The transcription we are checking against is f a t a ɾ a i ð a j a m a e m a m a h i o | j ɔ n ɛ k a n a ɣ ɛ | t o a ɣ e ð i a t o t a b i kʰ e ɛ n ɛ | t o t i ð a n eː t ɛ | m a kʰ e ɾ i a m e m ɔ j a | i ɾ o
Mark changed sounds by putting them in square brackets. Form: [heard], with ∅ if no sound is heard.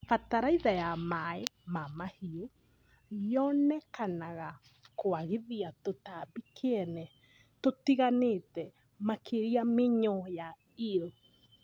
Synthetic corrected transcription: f a t a ɾ a i ð a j a m a e m a m a h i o | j ɔ n ɛ k a n a ɣ [a] | [k] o a ɣ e ð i a t o t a b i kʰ e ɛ n ɛ | t o t i [ɣ] a n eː t ɛ | m a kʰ e ɾ i a m e [ɲ] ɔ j a | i ɾ o